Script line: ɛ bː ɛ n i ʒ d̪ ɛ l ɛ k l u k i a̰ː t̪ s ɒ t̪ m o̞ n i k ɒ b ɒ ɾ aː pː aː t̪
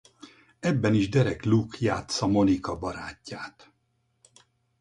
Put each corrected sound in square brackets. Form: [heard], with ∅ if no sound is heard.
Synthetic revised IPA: ɛ bː ɛ n i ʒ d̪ ɛ [ɾ] ɛ k l u k [j] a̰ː t̪ s ɒ [∅] m o̞ n i k ɒ b ɒ ɾ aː [cː] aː t̪